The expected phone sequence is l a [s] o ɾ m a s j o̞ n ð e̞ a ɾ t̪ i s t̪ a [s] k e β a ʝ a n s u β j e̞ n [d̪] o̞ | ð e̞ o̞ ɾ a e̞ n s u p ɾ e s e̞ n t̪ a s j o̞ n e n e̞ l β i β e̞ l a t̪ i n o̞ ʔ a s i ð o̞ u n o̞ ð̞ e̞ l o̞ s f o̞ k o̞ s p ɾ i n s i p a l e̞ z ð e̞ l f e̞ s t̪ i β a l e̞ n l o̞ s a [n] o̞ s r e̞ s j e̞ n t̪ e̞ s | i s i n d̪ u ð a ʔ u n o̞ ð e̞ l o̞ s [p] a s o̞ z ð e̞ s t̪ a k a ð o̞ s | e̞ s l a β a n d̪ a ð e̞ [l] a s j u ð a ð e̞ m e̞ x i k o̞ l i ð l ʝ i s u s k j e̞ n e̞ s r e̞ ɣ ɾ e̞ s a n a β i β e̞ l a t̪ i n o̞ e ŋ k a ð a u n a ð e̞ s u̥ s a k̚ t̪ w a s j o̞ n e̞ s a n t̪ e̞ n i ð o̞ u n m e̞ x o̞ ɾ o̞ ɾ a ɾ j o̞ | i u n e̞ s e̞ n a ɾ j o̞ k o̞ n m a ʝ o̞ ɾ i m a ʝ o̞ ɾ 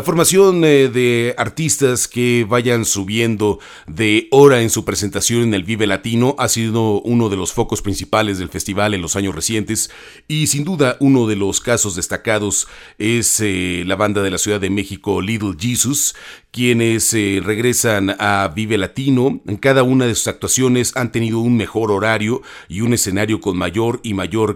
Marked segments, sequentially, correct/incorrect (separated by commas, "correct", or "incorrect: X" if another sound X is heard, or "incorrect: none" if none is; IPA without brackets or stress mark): incorrect: f, correct, correct, incorrect: ɲ, incorrect: k, correct